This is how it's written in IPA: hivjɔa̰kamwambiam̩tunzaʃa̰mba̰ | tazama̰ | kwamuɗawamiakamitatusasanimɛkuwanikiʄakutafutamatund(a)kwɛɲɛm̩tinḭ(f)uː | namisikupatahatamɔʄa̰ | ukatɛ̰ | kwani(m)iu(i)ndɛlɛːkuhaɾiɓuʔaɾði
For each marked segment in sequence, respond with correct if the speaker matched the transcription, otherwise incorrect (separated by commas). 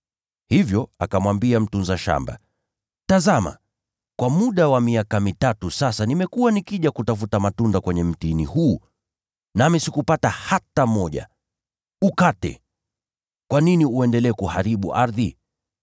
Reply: correct, incorrect, incorrect, incorrect